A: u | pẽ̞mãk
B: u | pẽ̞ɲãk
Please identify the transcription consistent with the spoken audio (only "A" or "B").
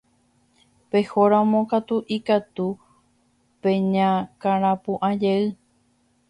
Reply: B